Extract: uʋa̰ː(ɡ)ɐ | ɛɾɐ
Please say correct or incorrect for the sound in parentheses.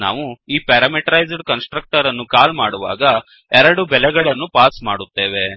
correct